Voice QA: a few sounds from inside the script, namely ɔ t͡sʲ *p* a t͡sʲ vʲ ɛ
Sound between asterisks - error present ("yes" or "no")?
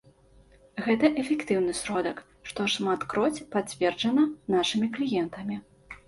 no